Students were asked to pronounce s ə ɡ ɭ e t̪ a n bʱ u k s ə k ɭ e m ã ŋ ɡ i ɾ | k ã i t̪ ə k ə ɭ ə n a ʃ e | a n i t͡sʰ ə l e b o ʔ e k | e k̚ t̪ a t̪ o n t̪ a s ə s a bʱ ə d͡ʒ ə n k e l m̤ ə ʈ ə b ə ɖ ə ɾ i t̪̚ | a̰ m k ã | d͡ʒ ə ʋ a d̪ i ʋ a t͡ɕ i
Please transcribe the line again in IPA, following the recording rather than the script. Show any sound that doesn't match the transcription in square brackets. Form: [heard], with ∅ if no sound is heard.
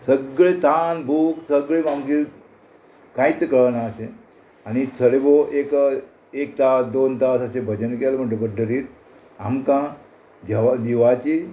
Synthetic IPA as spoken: s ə ɡ ɭ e t̪ a n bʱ u k s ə [ɡ] ɭ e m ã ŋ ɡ i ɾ | k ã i t̪ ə k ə ɭ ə n a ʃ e | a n i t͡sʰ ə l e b o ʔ e k | e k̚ t̪ a [d̪] o n t̪ a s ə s [e] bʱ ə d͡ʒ ə n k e l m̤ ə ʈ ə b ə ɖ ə ɾ i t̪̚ | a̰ m k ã | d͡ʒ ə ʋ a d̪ i ʋ a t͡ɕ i